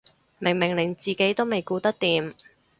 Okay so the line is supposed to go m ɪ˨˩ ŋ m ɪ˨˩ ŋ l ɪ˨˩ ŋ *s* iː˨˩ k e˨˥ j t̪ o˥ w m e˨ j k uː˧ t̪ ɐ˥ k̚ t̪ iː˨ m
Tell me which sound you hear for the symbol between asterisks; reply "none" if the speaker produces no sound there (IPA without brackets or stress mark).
t͡s